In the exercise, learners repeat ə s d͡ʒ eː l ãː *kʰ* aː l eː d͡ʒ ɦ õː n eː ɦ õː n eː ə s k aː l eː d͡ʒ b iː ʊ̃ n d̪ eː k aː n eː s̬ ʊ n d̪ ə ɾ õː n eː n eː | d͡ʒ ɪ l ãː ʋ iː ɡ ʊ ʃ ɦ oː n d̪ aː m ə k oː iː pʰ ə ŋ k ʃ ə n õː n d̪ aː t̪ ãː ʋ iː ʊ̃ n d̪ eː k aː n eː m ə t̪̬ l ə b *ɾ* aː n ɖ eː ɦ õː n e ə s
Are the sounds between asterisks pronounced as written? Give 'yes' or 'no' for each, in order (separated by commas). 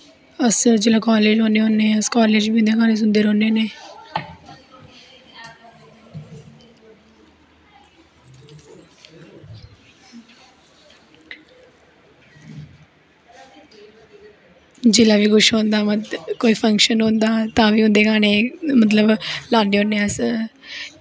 no, no